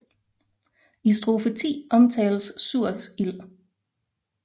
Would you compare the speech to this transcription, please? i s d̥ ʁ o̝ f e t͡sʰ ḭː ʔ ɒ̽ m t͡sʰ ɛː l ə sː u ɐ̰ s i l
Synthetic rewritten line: i s d̥ ʁ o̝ f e t͡sʰ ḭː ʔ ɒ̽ m t͡sʰ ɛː l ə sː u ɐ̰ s i l